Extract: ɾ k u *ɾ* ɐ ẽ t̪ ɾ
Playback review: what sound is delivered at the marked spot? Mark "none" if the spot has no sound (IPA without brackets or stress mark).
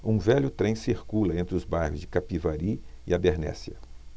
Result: l